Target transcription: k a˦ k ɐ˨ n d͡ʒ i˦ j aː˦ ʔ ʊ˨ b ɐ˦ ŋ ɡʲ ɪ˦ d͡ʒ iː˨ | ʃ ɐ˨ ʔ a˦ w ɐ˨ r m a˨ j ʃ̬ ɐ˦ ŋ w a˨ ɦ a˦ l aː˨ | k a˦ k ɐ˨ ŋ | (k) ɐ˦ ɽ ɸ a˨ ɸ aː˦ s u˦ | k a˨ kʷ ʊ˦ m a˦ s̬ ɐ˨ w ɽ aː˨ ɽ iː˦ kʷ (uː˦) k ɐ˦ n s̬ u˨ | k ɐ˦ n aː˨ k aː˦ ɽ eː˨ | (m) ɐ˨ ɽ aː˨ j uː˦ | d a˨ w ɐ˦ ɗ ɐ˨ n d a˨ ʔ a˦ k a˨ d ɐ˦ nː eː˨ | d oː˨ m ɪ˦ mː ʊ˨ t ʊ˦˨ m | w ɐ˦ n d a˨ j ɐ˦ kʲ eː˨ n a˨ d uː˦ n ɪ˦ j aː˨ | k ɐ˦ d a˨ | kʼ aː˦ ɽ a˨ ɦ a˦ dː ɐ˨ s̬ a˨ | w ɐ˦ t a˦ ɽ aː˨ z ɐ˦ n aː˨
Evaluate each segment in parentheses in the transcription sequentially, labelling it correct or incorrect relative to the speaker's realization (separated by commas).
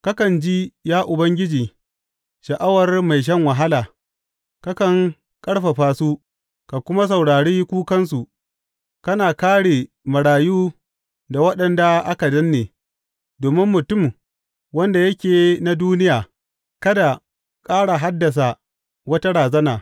incorrect, correct, correct